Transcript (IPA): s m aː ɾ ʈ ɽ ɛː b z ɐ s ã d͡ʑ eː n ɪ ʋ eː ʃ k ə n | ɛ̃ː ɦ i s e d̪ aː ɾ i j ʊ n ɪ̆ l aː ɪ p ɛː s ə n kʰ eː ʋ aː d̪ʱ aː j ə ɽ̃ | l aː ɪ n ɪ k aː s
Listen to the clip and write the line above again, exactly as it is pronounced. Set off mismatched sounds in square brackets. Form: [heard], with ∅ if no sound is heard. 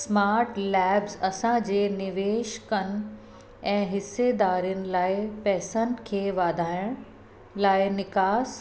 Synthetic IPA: s m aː ɾ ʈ [l] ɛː b z ɐ s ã d͡ʑ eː n ɪ ʋ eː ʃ k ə n | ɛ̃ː ɦ [ɪ] s e d̪ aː ɾ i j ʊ n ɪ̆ l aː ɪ p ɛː s ə n kʰ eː ʋ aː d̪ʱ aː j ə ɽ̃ | l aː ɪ n ɪ k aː s